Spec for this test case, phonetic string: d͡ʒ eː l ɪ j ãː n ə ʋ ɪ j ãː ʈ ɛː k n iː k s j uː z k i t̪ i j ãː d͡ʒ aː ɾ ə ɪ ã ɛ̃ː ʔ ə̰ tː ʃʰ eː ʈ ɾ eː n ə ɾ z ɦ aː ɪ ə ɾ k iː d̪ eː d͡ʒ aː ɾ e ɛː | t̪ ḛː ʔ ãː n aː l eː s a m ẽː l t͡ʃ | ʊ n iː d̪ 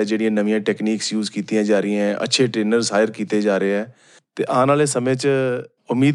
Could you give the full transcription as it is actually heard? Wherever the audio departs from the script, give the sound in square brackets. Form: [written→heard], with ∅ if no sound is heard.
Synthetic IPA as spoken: d͡ʒ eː [l→ɽ] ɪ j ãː n ə ʋ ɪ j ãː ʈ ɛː k n iː k s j uː z k [i→iː] t̪ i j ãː d͡ʒ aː ɾ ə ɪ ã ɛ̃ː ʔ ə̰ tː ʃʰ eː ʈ ɾ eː n ə ɾ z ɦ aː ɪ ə ɾ k iː [d̪→t̪] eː d͡ʒ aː ɾ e ɛː | t̪ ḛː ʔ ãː n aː l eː s [a→ə] m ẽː [l→∅] t͡ʃ | ʊ [n→m] iː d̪